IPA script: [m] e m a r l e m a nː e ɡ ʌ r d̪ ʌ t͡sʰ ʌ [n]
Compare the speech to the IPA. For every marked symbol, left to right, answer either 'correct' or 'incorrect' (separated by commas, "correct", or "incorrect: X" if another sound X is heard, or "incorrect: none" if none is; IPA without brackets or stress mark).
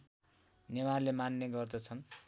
incorrect: n, correct